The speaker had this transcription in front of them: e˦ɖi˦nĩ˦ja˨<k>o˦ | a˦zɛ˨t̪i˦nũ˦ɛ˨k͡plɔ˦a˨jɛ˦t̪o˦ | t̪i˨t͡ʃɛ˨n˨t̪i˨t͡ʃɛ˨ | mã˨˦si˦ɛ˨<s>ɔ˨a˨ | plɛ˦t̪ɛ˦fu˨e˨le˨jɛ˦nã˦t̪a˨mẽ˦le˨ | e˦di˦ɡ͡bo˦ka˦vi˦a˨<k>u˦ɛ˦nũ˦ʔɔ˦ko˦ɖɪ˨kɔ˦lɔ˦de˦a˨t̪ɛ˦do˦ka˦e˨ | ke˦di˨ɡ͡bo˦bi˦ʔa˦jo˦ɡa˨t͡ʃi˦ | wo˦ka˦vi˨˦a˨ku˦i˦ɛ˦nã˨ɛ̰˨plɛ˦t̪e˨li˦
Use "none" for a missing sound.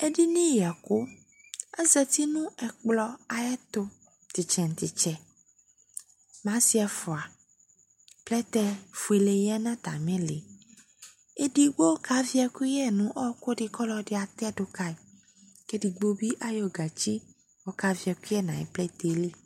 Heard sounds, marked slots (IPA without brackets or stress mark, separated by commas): k, f, k